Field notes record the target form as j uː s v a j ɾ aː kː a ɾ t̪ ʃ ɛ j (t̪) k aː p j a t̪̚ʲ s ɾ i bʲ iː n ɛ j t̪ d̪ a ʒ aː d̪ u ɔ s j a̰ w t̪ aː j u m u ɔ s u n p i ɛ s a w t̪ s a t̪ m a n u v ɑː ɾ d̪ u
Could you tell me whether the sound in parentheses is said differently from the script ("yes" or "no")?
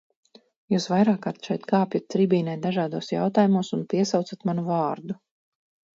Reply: no